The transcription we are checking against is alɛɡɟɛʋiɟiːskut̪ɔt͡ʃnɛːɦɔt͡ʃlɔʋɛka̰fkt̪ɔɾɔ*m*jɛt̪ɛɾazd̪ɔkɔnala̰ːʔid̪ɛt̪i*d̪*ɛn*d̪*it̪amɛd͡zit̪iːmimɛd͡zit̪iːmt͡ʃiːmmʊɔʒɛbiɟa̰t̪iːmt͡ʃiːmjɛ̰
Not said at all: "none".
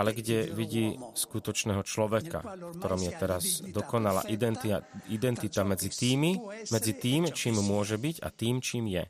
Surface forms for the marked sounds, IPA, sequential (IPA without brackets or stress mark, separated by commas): m, d̪, t̪